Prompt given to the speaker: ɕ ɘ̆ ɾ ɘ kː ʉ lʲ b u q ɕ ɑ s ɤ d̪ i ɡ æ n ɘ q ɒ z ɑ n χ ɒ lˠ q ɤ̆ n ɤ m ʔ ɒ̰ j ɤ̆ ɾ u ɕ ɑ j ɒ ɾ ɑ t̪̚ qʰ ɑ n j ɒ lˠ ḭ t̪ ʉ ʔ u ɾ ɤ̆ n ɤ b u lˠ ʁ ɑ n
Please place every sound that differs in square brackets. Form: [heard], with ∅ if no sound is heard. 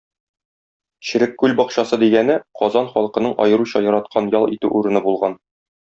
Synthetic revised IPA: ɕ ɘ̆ ɾ ɘ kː ʉ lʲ b [ɒ] q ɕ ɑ s ɤ d̪ i ɡ æ n ɘ q ɒ z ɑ n χ ɒ lˠ q ɤ̆ n ɤ [ɴ] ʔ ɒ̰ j ɤ̆ ɾ u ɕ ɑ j ɒ ɾ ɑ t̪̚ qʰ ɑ n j ɒ lˠ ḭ t̪ ʉ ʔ u ɾ ɤ̆ n ɤ b u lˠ ʁ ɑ n